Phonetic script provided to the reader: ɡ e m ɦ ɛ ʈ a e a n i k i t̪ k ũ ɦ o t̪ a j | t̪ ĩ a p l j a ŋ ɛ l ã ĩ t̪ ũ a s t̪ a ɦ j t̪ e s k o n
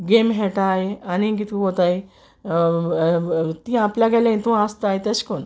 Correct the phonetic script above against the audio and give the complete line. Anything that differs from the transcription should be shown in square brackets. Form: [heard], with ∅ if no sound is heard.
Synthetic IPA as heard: ɡ e m ɦ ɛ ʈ a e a n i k i t̪ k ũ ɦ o t̪ a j | t̪ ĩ a p l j a [ɡ] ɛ l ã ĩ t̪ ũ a s t̪ a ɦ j t̪ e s k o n